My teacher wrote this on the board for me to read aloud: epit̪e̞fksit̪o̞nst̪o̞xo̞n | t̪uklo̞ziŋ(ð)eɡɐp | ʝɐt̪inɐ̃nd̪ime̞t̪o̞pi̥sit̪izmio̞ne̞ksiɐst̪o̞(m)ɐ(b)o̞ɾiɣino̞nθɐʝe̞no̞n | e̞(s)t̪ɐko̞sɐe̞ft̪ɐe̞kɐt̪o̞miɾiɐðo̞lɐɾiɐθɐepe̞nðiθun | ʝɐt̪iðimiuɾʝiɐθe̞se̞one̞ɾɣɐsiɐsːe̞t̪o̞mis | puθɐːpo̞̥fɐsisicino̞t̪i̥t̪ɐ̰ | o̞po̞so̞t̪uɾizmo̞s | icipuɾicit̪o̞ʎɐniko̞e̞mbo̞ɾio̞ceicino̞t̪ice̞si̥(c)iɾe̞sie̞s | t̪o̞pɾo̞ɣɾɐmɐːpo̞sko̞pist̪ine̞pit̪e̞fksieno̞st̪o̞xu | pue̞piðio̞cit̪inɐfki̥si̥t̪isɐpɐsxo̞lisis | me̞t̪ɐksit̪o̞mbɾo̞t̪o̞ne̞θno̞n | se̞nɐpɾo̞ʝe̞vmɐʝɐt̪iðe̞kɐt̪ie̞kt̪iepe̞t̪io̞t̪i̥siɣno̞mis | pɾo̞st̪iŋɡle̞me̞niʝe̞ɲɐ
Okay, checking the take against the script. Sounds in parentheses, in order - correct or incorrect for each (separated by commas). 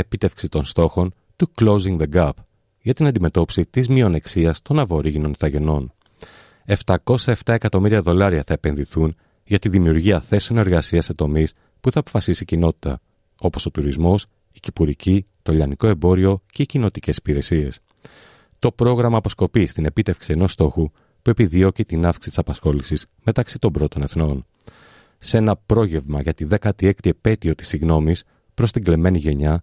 correct, incorrect, incorrect, incorrect, incorrect